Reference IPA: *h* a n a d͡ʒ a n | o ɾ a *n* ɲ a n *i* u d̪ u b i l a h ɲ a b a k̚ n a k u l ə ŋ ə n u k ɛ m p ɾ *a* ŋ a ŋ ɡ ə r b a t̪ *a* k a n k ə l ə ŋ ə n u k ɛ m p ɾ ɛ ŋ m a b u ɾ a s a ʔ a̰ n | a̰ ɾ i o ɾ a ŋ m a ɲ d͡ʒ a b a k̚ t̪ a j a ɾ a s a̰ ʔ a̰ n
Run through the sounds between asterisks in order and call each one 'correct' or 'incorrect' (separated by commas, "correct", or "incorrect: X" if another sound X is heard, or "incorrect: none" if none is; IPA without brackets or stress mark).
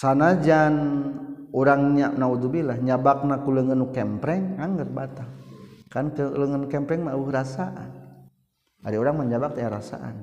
incorrect: s, incorrect: ŋ, incorrect: a, incorrect: ɛ, correct